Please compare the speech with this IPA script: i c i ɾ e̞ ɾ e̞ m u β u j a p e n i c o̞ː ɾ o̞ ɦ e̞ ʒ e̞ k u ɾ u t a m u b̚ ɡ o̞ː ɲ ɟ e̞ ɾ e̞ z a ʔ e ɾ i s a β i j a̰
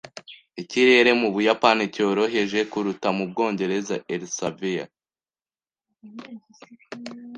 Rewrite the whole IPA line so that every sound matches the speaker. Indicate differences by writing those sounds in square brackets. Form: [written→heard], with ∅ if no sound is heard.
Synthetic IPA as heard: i c i ɾ e̞ ɾ e̞ m u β u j a p [e→a] n i c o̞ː ɾ o̞ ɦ e̞ ʒ e̞ k u ɾ u t a m u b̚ ɡ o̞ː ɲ ɟ e̞ ɾ e̞ z a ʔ e ɾ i s a [β→v] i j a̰